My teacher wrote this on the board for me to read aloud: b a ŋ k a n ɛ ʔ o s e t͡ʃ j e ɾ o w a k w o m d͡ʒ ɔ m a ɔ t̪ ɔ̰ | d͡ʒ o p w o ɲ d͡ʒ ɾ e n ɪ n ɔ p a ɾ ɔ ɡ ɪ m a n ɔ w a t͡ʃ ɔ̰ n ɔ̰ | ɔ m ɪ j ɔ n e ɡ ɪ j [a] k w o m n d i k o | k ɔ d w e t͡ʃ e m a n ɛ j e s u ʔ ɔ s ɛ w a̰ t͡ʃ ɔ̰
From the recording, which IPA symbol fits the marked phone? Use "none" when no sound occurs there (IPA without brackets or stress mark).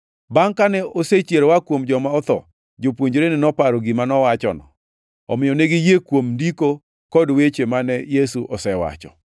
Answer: e